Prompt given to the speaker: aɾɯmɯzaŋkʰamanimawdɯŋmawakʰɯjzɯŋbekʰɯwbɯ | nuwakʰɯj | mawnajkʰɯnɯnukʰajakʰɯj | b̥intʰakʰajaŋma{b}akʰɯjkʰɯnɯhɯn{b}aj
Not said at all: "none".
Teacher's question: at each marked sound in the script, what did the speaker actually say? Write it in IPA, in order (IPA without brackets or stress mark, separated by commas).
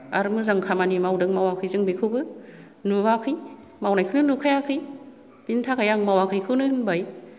w, b